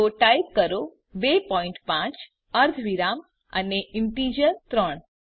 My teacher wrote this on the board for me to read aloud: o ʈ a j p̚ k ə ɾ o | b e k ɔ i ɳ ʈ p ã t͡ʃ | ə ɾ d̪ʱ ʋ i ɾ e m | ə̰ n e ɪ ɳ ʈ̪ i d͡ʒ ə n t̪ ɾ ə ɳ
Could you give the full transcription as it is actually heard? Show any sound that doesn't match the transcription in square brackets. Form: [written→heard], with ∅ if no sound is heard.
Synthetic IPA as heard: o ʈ a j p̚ k ə ɾ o | b e [k→p] ɔ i ɳ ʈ p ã t͡ʃ | ə ɾ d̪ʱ ʋ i ɾ [e→a] m | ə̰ n e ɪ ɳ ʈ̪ i d͡ʒ ə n t̪ ɾ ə ɳ